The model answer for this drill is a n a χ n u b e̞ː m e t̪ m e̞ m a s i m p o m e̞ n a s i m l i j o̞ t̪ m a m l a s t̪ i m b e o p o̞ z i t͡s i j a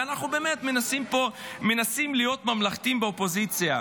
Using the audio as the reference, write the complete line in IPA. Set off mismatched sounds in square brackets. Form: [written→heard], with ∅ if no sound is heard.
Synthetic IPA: a n a χ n u b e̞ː m e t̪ m e̞ [m→n] a s i m p o m e̞ n a s i m l i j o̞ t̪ m a m l a [s→χ] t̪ i m b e o p o̞ z i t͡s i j a